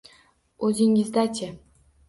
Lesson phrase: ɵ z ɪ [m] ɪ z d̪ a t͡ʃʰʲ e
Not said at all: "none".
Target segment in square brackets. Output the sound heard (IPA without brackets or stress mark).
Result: ŋ